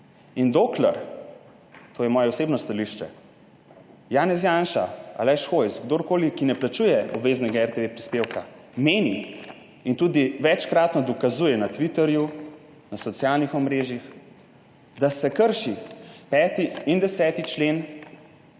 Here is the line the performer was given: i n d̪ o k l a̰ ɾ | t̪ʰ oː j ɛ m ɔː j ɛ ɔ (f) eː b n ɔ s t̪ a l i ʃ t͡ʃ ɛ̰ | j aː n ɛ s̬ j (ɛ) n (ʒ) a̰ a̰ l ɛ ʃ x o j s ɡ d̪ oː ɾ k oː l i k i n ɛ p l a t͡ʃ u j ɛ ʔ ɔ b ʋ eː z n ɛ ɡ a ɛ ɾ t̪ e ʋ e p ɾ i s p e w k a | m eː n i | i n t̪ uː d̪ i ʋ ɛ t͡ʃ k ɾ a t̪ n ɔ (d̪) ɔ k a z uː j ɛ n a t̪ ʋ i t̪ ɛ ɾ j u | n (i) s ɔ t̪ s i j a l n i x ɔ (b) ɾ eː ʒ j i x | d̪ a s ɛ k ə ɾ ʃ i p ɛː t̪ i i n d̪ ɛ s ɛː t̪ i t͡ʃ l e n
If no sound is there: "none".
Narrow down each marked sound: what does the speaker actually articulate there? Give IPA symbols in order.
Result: s, a, ʃ, d̪, a, m

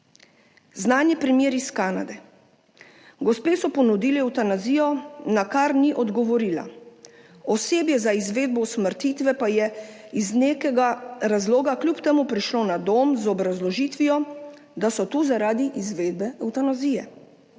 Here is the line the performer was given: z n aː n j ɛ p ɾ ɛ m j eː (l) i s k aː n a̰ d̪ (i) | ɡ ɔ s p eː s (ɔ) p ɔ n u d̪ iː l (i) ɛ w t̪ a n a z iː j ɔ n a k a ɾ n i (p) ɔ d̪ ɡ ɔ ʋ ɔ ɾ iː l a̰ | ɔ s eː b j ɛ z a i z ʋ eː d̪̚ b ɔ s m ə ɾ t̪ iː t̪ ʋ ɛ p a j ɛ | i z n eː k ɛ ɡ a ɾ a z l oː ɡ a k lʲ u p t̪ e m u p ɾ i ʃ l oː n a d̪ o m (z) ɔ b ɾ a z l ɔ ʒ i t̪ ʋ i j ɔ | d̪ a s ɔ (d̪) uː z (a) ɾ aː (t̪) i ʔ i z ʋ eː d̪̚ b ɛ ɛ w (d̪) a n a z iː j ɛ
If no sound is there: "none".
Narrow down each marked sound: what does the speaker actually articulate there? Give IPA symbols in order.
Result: ɾ, ɛ, ɔ, i, ʔ, z, t̪, a, d̪, t̪

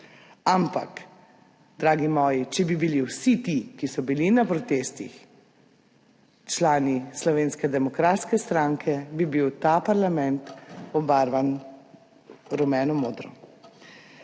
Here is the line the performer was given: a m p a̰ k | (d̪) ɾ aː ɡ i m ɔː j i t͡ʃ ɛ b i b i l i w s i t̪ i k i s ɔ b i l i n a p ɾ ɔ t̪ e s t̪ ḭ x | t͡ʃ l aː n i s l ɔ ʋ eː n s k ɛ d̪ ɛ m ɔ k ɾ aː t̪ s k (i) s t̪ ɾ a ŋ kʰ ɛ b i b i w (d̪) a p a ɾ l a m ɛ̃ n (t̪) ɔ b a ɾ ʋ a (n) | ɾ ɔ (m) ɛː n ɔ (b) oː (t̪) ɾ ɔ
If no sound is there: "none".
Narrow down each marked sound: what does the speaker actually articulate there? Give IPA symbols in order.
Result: d̪, ɛ, t̪, t̪, n, m, m, d̪

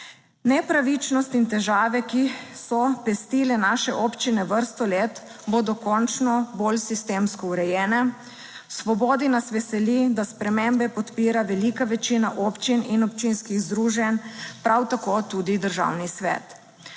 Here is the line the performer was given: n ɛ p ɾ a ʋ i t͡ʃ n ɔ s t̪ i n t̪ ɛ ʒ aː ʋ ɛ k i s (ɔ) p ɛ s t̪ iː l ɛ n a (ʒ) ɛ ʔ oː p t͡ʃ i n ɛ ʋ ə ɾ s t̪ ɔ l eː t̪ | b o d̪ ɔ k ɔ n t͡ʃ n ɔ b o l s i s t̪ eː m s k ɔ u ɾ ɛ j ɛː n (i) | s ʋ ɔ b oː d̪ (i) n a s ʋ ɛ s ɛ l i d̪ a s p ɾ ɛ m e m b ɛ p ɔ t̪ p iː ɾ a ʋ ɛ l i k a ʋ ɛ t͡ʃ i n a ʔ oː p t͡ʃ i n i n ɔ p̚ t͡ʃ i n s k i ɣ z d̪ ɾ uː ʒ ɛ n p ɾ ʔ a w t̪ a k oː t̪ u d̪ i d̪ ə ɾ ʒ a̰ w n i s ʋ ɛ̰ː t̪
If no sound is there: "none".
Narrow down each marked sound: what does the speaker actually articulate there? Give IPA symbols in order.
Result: ɔ, ʃ, ɛ, i

